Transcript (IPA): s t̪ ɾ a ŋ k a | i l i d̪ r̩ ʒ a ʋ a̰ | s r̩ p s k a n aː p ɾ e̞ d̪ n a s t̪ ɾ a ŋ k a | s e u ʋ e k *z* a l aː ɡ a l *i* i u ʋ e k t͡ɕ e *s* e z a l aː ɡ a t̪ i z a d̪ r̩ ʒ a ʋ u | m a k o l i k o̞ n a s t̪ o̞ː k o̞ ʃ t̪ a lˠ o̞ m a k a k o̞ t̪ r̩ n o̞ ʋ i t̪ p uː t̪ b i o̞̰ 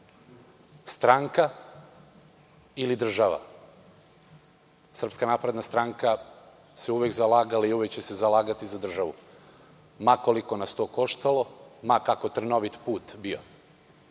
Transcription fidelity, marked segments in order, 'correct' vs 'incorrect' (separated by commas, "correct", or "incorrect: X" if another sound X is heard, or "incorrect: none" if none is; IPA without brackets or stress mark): correct, incorrect: a, correct